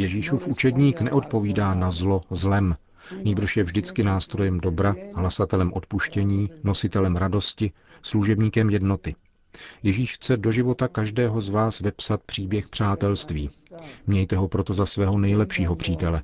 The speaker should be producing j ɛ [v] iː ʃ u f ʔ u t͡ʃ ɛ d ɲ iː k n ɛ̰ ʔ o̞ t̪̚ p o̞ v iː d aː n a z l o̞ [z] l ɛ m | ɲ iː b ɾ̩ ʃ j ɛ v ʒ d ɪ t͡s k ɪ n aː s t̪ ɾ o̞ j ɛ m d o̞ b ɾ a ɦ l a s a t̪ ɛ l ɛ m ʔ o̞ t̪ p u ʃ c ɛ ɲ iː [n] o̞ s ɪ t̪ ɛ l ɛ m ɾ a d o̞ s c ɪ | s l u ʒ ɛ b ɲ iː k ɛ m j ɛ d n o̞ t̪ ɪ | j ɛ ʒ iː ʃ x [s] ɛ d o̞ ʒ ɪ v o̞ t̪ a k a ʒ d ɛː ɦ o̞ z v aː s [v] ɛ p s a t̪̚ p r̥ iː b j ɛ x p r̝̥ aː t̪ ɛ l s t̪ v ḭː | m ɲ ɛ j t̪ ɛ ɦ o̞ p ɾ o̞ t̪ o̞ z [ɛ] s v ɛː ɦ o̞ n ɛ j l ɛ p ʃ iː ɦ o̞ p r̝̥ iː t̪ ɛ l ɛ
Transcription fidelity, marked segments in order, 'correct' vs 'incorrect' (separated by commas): incorrect, correct, correct, incorrect, correct, incorrect